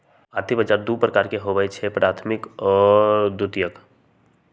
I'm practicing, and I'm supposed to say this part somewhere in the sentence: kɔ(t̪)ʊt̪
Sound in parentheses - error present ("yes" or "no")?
yes